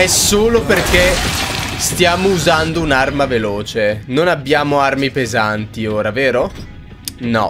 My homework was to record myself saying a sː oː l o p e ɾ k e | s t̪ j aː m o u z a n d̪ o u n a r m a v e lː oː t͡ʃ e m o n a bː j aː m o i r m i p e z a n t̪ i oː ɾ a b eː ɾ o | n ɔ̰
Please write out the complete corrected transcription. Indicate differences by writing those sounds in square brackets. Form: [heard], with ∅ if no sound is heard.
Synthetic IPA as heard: [ɛ] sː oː l o p e [r] k e | s t̪ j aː m o u z a n d̪ o u n a r m a v e [l] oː t͡ʃ e [n] o n a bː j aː m o [a] r m i p e z a n t̪ i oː ɾ a [v] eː ɾ o | n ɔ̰